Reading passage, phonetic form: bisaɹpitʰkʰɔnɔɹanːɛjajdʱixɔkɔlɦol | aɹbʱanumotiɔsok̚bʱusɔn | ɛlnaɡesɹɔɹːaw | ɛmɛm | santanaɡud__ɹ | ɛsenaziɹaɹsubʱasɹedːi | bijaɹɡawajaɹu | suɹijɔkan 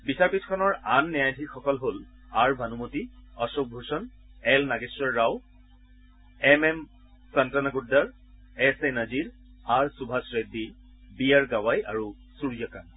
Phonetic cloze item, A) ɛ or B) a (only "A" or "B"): B